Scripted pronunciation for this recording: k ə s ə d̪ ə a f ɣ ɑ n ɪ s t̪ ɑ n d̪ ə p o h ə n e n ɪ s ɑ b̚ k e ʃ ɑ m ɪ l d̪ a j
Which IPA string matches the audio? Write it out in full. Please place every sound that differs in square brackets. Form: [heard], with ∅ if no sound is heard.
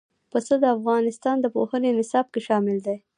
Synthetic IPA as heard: [p] ə s ə d̪ ə a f ɣ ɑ n ɪ s t̪ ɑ n d̪ ə p o h ə n e n ɪ s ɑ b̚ k e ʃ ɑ m ɪ l d̪ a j